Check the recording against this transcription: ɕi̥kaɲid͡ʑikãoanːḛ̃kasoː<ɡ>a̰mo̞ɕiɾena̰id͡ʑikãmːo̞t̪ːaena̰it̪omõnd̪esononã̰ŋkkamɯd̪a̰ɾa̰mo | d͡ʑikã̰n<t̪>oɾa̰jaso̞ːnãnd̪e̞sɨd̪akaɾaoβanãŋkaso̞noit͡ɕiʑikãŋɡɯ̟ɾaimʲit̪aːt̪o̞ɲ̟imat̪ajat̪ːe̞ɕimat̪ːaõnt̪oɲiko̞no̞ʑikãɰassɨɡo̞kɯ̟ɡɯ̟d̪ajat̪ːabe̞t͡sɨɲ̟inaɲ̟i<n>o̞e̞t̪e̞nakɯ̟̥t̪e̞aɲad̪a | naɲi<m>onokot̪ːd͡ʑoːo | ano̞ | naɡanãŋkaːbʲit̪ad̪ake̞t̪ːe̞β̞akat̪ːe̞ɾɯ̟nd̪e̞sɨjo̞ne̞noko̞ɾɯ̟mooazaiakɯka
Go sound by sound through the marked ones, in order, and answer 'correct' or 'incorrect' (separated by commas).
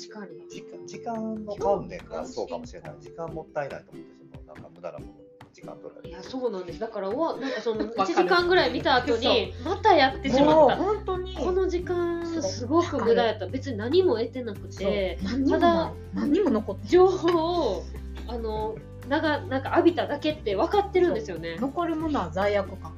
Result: incorrect, correct, incorrect, correct